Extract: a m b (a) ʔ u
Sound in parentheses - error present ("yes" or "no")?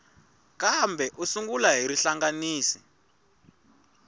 yes